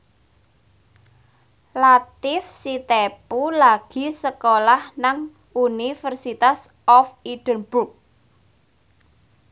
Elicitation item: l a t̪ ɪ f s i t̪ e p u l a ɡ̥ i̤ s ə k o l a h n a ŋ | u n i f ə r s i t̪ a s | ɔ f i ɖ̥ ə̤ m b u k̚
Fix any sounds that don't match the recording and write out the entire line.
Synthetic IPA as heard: l a t̪ ɪ f s i t̪ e p u l a ɡ̥ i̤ s ə k o l a h n a ŋ | u n i f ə r s i t̪ a s | ɔ f i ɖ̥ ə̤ n b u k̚